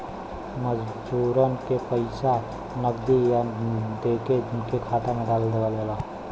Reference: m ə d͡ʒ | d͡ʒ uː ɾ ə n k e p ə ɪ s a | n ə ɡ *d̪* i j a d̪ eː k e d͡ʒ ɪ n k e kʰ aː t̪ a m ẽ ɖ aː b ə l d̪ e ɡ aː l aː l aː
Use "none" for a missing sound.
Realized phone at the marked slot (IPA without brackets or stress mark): d̪